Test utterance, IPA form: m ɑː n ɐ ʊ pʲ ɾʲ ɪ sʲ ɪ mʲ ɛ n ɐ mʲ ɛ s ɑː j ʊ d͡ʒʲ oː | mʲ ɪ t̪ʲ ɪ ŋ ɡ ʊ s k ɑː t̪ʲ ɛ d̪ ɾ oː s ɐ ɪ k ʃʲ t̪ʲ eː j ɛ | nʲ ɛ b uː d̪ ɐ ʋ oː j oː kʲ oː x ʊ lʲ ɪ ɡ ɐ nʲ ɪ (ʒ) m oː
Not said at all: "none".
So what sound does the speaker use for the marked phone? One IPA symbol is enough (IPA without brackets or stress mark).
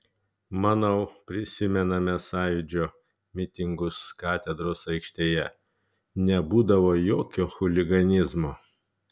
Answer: z